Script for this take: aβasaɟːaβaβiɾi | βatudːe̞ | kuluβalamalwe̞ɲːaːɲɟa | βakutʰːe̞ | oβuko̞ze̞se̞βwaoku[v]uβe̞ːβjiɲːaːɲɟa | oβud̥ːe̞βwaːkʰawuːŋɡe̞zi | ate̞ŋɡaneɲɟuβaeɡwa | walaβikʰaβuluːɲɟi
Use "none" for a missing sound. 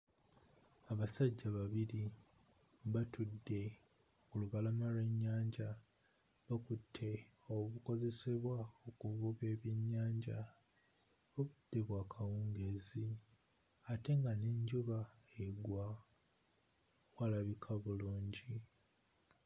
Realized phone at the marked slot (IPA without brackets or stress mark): v